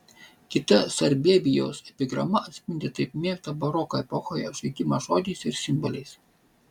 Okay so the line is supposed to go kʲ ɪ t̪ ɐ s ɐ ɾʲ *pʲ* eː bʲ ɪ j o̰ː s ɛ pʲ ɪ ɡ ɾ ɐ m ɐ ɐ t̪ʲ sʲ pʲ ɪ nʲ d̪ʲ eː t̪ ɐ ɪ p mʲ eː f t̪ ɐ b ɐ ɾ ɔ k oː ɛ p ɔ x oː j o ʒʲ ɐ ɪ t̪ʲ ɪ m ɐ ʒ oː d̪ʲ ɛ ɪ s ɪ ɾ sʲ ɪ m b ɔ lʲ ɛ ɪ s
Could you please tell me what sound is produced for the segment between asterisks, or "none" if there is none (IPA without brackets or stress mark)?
bʲ